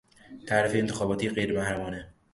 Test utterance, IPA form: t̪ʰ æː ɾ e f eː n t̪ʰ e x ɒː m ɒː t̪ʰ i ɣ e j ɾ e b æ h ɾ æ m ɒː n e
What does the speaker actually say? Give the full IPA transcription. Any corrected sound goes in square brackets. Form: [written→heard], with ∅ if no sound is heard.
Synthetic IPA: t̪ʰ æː ɾ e f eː n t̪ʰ e x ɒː [m→b] ɒː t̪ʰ i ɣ e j ɾ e [b→m] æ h ɾ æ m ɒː n e